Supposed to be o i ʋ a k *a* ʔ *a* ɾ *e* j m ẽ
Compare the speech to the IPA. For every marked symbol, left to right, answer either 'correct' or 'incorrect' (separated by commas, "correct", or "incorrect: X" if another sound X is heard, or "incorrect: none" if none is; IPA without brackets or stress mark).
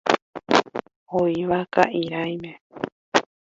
correct, incorrect: i, incorrect: a